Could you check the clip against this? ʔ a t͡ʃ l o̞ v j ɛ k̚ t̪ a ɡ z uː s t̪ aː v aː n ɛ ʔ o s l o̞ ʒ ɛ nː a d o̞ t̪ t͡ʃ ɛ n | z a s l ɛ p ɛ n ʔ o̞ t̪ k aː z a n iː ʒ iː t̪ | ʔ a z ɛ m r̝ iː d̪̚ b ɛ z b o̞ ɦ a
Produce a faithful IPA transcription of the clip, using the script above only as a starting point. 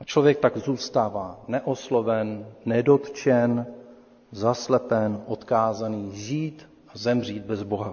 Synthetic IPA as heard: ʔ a t͡ʃ l o̞ v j ɛ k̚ t̪ a ɡ z uː s t̪ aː v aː n ɛ ʔ o s l o̞ v ɛ nː ɛ d o̞ t̪ t͡ʃ ɛ n | z a s l ɛ p ɛ n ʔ o̞ t̪ k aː z a n iː ʒ iː t̪ | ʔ a z ɛ m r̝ iː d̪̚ b ɛ z b o̞ ɦ a